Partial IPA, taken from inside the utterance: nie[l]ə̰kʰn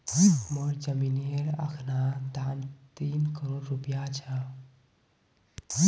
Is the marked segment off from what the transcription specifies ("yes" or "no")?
yes